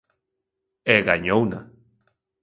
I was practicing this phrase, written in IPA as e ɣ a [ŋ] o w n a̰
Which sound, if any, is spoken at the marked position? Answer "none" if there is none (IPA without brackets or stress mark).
ɲ